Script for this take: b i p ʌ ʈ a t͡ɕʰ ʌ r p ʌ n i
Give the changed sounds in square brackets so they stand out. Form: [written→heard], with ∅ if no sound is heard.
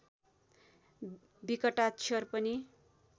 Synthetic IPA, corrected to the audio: b i [p→k] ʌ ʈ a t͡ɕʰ ʌ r p ʌ n i